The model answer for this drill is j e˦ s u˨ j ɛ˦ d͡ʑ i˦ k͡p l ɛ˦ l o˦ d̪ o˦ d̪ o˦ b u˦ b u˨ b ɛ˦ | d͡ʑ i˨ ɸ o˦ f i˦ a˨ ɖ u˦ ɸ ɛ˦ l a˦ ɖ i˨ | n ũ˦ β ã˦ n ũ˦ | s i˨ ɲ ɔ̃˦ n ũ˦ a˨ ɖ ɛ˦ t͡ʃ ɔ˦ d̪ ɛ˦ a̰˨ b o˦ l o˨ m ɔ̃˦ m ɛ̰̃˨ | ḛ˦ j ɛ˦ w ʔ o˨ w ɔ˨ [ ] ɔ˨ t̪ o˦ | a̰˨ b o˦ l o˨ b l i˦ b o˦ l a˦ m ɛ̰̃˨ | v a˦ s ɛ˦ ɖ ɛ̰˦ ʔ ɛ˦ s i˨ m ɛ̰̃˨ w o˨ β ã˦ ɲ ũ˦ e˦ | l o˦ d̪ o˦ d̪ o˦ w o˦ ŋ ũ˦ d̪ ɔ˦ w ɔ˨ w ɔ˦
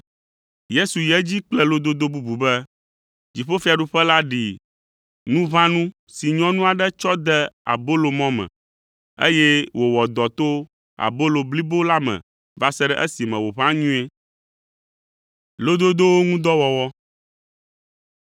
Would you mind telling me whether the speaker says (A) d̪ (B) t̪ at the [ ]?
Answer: A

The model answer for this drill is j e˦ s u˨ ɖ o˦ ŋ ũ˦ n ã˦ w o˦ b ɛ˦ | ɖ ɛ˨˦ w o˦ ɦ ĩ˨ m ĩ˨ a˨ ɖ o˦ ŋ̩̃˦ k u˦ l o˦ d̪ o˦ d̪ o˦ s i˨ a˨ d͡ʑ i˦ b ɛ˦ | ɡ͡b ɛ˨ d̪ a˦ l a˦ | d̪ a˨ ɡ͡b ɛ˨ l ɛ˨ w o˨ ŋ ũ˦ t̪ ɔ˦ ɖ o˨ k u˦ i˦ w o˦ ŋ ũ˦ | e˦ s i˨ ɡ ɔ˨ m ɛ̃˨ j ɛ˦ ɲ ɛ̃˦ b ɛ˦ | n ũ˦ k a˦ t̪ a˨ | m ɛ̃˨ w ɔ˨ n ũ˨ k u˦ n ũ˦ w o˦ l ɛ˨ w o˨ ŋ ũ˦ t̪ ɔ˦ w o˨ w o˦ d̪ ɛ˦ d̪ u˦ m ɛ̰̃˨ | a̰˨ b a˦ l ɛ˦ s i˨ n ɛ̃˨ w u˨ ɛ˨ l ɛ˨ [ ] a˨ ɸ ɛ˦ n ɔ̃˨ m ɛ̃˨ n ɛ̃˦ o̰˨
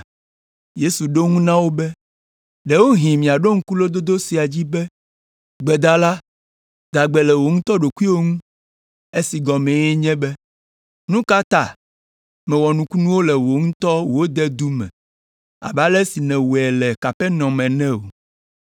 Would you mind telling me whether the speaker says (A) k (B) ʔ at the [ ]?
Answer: A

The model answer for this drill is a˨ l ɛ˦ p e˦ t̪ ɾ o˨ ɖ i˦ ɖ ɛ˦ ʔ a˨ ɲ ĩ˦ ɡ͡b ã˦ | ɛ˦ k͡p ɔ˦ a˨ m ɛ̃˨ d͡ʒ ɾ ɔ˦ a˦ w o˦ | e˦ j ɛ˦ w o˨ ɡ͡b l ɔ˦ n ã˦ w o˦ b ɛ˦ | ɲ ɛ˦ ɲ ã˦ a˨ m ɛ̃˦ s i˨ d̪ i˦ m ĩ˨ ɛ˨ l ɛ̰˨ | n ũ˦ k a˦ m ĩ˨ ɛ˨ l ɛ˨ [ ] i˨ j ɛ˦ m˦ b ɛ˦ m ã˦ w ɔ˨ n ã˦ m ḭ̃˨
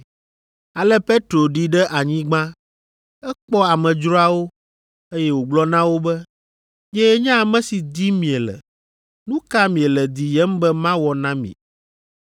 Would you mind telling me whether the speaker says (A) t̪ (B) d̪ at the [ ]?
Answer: B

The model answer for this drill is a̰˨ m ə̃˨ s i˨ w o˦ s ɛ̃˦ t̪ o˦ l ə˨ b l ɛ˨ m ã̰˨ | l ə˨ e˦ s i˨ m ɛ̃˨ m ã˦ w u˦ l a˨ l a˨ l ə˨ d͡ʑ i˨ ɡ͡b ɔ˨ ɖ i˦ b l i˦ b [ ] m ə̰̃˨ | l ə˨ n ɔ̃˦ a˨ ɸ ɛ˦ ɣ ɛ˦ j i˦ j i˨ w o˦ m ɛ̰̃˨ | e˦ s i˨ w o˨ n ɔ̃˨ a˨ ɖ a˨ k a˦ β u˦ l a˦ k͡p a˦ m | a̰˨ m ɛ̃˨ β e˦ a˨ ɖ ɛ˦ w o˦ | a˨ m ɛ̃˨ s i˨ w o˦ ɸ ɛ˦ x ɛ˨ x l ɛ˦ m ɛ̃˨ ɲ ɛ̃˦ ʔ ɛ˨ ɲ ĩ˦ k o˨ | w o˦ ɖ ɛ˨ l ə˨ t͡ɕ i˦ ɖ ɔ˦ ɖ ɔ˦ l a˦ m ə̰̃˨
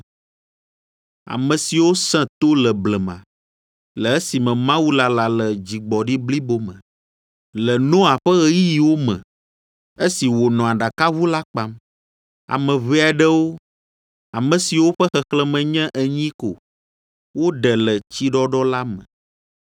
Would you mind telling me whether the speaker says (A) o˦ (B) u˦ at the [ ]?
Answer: A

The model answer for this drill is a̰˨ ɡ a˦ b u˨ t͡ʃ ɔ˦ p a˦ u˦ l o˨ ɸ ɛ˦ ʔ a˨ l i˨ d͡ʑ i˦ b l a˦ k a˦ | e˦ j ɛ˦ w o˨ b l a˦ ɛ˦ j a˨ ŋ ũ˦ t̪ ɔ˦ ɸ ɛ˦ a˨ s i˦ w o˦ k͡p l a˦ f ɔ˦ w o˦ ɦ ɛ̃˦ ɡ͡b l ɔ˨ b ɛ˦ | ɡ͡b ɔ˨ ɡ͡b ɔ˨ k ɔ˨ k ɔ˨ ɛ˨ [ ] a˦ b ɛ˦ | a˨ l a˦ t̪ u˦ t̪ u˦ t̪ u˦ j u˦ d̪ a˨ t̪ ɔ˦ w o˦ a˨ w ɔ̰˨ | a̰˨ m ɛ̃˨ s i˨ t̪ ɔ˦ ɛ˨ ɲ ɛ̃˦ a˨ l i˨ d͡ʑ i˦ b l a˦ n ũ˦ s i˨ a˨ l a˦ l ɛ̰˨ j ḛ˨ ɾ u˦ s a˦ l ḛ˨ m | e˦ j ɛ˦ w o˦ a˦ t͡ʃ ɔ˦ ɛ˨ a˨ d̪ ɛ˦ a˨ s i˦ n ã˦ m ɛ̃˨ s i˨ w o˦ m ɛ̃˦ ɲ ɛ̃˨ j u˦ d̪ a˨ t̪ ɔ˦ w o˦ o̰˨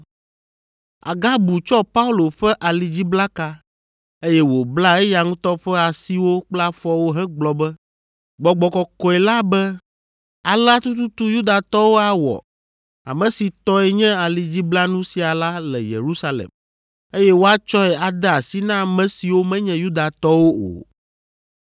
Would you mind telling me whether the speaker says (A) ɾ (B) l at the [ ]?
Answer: B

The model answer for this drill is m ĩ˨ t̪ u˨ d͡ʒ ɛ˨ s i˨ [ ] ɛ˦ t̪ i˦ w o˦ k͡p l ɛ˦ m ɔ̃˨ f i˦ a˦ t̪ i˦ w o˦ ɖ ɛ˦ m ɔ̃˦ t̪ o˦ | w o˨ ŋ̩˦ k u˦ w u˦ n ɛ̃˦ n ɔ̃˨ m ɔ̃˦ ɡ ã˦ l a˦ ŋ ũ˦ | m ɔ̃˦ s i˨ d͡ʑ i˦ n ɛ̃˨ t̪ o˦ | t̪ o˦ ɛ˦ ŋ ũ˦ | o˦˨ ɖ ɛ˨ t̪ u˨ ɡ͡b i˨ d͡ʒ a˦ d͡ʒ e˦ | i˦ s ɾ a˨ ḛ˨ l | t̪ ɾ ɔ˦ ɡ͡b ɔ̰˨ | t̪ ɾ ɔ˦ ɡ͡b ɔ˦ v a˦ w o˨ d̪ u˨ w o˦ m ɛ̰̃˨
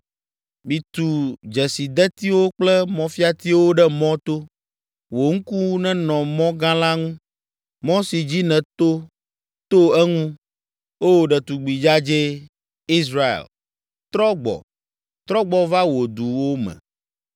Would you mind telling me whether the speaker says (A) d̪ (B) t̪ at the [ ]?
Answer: A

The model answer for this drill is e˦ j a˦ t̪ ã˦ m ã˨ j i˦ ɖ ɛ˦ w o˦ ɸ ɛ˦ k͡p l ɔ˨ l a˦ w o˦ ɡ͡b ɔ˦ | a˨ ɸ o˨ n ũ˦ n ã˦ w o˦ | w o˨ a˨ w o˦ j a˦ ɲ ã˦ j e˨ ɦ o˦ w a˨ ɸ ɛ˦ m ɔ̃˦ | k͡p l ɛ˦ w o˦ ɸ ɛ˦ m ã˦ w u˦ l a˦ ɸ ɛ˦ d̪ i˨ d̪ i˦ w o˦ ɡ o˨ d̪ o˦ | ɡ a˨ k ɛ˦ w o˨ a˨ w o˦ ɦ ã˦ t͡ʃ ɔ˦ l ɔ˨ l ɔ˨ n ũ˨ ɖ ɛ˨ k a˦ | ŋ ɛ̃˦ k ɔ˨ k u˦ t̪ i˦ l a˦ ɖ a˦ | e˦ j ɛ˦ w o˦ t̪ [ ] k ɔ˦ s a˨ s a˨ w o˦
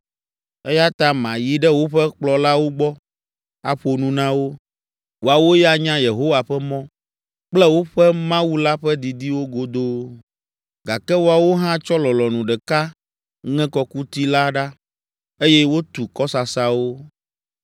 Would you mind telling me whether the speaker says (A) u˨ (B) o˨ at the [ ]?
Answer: A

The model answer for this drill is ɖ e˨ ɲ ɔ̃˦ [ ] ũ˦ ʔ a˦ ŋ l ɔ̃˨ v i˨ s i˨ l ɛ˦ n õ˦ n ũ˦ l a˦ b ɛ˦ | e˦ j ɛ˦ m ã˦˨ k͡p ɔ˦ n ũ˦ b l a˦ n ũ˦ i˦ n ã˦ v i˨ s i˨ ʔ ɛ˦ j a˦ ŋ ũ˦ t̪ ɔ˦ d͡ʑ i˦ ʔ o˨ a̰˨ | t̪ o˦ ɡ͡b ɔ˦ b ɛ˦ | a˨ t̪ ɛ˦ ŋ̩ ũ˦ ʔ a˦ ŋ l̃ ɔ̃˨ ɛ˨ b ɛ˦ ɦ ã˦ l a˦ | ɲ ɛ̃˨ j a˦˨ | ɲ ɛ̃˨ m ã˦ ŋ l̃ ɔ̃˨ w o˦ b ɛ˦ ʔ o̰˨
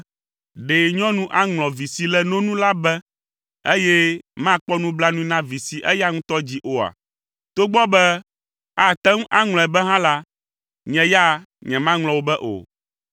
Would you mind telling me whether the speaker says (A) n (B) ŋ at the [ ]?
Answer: A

